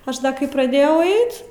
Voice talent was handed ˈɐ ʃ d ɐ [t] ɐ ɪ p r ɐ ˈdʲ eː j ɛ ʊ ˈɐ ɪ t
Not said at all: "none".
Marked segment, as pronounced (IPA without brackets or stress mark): k